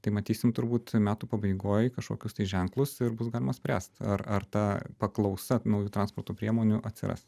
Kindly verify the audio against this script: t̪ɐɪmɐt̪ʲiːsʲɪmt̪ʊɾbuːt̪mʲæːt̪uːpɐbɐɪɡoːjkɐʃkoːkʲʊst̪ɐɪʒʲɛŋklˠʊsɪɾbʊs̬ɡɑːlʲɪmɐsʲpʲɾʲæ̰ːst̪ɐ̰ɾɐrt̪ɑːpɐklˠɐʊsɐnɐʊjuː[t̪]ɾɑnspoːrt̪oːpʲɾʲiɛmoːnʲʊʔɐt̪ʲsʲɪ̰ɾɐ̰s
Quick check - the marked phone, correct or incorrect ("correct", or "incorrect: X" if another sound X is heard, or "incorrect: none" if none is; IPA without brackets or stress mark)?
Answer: correct